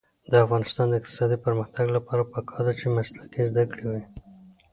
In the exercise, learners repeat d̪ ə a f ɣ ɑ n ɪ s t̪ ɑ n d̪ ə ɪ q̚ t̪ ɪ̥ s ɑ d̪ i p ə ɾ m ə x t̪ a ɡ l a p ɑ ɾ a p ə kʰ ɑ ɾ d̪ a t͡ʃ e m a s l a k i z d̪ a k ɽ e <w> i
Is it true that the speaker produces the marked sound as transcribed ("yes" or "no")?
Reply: yes